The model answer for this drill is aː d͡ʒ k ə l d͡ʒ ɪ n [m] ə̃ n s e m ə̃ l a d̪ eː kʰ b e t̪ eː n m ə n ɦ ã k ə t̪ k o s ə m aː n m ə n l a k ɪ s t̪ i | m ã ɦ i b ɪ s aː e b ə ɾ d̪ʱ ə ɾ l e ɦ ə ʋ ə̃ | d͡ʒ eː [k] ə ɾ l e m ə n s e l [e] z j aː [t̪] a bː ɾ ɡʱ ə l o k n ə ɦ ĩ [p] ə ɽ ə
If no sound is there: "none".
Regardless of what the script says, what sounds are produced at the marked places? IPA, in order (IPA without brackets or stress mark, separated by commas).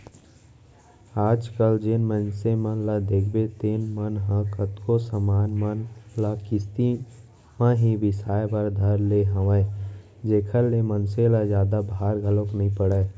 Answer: m, kʰ, a, d̪, p